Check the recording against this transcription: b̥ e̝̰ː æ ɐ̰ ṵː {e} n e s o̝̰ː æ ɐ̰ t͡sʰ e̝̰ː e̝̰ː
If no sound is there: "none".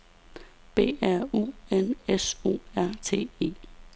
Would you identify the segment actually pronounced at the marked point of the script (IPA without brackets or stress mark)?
e